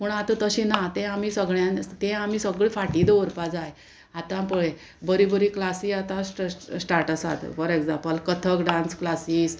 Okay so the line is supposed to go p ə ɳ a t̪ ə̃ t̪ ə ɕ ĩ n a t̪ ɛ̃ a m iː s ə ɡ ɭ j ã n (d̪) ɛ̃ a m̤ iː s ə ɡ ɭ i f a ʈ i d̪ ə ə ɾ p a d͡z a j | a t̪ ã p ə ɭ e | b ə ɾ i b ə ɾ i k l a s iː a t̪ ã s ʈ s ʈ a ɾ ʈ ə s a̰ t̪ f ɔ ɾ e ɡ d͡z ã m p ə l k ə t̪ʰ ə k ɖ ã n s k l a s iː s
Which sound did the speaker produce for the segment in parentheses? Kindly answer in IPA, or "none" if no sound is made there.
t̪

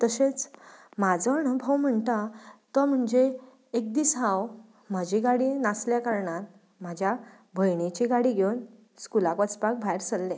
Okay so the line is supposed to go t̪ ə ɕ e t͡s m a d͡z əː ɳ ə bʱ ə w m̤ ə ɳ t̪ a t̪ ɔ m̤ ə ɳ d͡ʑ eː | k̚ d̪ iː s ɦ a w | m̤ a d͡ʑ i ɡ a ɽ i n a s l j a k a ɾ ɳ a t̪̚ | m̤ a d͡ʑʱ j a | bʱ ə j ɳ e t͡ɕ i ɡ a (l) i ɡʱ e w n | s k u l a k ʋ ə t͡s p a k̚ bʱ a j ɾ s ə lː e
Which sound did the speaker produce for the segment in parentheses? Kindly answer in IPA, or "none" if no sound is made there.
ɽ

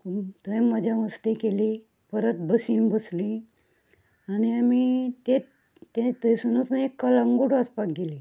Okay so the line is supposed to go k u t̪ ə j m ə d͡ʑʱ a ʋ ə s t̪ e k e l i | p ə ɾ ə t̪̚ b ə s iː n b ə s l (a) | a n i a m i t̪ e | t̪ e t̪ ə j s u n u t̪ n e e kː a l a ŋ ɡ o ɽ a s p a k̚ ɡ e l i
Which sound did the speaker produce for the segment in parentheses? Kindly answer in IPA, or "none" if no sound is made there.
i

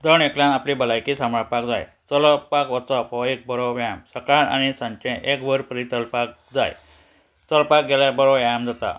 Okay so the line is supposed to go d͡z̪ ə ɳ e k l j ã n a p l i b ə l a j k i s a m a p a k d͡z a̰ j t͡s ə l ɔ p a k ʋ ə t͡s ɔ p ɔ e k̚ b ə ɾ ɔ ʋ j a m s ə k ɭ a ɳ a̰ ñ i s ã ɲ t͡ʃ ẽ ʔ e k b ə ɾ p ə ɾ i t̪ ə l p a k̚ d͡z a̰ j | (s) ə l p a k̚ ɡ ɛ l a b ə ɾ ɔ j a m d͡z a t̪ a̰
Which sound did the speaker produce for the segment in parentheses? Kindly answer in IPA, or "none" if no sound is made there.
t͡s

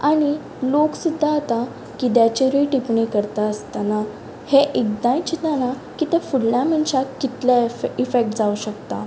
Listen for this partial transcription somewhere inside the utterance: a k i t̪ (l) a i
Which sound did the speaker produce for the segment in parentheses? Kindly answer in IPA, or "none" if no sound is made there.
l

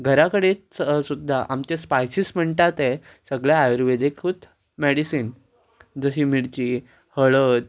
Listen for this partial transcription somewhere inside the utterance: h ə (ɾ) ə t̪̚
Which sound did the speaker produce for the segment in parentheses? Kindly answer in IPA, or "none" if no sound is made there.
ɭ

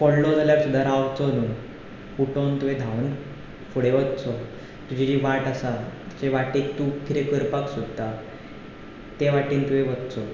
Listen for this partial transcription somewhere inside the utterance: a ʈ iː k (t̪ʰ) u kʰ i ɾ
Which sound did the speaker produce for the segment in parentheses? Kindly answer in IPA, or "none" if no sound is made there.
t̪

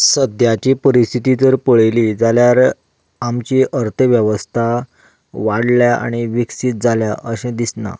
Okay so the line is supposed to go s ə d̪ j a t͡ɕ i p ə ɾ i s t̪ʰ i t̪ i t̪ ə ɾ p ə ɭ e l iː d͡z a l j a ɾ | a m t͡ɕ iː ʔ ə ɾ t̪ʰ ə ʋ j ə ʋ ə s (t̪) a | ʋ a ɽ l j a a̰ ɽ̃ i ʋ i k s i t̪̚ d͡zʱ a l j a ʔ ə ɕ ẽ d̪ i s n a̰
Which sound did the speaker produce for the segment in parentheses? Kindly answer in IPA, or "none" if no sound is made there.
t̪ʰ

